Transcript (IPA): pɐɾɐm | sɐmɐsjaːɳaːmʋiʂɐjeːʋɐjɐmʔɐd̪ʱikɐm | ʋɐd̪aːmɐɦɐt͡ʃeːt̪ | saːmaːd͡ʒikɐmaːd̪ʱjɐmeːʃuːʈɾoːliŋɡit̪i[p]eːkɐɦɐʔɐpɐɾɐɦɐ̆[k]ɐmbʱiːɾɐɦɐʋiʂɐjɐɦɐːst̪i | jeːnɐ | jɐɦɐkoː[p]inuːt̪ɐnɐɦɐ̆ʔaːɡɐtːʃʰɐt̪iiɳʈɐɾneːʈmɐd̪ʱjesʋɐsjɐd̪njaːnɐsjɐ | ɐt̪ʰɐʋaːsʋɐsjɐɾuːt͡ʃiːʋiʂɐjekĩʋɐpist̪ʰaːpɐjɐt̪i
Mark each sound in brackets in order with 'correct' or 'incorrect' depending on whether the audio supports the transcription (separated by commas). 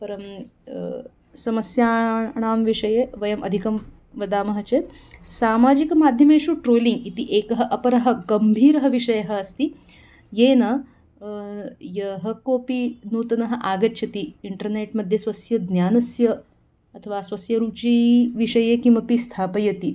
incorrect, incorrect, correct